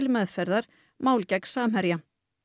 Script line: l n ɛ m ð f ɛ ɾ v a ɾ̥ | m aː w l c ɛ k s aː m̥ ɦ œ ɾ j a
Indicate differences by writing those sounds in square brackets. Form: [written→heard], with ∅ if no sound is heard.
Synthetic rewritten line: l [n→m] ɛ [m→∅] ð f ɛ ɾ [v→ð] a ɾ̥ | m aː w l c ɛ k s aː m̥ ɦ [œ→ɛ] ɾ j a